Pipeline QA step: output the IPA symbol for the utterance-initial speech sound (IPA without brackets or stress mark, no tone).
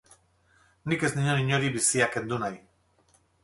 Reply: n